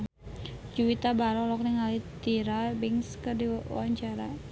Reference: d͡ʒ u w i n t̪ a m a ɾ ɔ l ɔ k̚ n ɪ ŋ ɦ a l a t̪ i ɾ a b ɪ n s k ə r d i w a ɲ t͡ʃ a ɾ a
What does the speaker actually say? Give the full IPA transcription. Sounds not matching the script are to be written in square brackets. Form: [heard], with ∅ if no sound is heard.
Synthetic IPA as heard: d͡ʒ u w i [∅] t̪ a [b] a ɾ ɔ l ɔ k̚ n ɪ ŋ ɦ a l [i] t̪ i ɾ a b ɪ [ŋ] s k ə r d i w a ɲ t͡ʃ a ɾ a